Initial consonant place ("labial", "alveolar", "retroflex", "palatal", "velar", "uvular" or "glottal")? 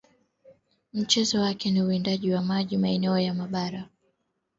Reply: labial